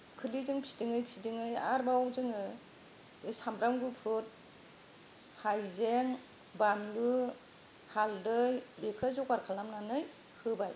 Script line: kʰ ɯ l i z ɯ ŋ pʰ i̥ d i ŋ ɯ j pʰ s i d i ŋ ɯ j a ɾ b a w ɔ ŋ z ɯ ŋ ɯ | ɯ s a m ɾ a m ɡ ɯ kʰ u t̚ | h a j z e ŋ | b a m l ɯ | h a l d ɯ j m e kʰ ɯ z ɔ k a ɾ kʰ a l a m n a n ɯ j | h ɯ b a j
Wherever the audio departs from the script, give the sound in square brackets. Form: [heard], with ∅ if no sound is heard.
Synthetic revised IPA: kʰ ɯ l i z ɯ ŋ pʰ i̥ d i ŋ ɯ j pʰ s i d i ŋ ɯ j a ɾ b a w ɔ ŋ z ɯ ŋ ɯ | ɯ s a m ɾ a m ɡ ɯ [pʰ] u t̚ | h a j z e ŋ | b a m l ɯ | h a l d ɯ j [b] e kʰ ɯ z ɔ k a ɾ kʰ a l a m n a n ɯ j | h ɯ b a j